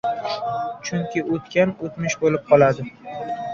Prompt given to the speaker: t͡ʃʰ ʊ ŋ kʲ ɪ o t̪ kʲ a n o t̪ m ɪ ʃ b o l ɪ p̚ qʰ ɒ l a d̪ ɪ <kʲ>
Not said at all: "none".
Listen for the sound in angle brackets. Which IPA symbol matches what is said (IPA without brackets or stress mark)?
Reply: none